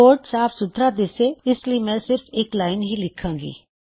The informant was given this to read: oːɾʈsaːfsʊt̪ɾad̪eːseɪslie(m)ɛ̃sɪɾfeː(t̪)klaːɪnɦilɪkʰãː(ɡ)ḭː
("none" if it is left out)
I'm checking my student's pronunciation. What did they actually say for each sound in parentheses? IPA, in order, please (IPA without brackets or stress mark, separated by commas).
m, none, ɡ